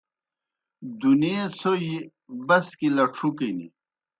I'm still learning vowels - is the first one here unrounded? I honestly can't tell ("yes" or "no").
no